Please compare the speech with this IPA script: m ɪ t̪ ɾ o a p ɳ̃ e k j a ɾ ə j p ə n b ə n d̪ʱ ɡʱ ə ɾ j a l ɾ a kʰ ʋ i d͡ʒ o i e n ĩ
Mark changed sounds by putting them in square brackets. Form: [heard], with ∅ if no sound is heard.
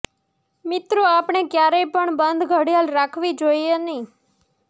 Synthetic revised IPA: m ɪ t̪ ɾ o a p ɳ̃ e k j a ɾ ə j p ə [ɳ] b ə n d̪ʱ ɡʱ ə [ɽ] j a l ɾ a kʰ ʋ i d͡ʒ o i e n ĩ